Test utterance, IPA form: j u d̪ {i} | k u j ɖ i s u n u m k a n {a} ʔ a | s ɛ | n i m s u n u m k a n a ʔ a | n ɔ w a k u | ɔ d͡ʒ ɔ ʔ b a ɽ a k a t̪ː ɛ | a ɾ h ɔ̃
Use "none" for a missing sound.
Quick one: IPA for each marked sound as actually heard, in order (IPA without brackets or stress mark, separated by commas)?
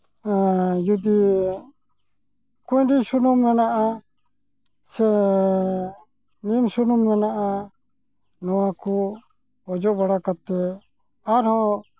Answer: i, a